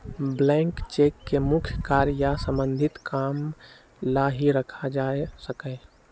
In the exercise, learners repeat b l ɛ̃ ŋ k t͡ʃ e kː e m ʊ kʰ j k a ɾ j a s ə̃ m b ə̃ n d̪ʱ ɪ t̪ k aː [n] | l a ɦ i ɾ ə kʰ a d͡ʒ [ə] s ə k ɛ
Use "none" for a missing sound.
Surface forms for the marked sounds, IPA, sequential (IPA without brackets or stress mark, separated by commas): m, a